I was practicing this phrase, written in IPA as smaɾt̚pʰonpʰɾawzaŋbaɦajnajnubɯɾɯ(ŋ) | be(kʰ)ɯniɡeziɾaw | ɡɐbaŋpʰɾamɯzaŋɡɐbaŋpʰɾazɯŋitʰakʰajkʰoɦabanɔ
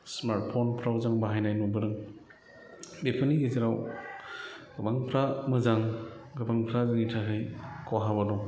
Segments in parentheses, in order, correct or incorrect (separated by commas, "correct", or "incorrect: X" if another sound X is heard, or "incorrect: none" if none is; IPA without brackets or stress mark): correct, incorrect: pʰ